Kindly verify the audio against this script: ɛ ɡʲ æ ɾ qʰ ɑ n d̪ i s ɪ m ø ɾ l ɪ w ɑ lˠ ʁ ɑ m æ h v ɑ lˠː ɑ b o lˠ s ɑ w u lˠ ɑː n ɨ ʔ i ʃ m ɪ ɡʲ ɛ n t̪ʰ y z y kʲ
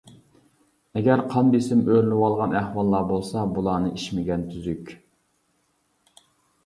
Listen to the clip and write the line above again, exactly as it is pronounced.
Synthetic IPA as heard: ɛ ɡʲ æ ɾ qʰ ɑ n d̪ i s ɪ m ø ɾ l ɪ w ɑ lˠ ʁ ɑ n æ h w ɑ lˠː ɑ b o lˠ s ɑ b u lˠ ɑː n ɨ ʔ i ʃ m ɪ ɡʲ ɛ n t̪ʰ y z y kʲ